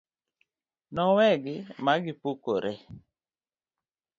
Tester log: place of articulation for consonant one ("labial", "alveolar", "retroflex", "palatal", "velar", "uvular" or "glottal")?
alveolar